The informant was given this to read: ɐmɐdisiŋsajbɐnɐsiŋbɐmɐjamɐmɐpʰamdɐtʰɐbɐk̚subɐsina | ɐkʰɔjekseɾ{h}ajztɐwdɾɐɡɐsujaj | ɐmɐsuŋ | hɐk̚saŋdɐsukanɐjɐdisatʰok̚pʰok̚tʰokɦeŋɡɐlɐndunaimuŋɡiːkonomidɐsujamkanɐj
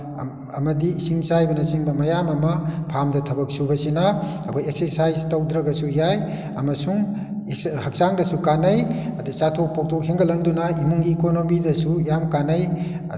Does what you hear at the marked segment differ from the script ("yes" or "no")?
yes